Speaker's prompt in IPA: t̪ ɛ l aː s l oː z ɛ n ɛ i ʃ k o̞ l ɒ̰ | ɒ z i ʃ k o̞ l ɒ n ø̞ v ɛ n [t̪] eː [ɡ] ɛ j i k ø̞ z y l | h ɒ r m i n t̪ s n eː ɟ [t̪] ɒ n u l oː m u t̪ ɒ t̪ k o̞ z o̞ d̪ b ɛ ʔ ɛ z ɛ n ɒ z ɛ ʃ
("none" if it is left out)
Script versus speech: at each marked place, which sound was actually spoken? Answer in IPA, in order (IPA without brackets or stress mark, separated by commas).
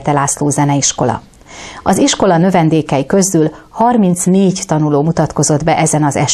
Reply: d̪, k, t̪